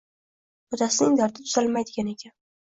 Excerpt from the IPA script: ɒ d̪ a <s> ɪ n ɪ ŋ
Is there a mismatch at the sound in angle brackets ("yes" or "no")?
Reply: no